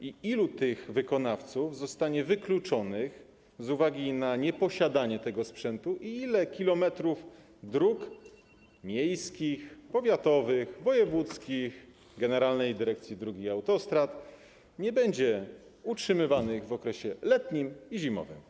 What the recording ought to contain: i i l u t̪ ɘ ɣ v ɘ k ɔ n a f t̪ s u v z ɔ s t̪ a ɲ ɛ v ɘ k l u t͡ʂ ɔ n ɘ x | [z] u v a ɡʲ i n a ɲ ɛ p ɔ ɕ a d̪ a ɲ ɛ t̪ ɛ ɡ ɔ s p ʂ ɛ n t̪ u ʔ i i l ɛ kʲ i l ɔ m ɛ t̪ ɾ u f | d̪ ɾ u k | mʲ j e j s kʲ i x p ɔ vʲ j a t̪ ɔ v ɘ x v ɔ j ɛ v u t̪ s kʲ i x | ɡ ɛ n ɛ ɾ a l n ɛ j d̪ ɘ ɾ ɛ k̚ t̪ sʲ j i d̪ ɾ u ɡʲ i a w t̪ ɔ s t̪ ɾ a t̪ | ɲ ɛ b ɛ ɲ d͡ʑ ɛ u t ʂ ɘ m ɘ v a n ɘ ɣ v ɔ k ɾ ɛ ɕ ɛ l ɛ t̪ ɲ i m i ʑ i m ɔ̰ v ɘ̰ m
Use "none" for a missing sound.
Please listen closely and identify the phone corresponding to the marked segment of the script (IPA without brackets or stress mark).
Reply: z